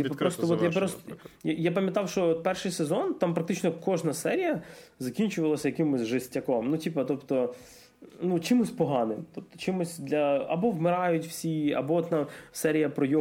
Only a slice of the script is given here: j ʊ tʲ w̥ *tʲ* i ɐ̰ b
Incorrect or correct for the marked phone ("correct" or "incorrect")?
incorrect